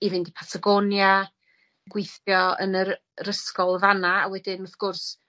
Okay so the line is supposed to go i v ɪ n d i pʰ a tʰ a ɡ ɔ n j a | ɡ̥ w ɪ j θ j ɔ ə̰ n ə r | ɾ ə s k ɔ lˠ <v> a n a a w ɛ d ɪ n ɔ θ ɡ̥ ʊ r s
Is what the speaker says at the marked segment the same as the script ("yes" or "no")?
yes